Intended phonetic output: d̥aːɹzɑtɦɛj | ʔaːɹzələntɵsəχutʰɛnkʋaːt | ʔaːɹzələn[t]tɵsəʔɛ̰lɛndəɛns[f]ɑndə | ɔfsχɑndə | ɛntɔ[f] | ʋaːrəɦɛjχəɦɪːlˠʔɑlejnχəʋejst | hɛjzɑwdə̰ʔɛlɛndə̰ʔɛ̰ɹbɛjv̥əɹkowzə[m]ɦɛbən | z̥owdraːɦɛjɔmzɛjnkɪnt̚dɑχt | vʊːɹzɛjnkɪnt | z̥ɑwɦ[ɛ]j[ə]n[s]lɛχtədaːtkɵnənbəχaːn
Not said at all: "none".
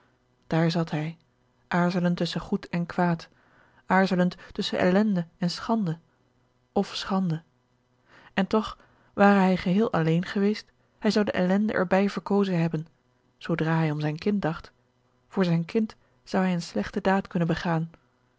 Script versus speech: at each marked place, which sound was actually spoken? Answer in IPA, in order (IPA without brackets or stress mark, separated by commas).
t, χ, χ, n, ɛ, ə, s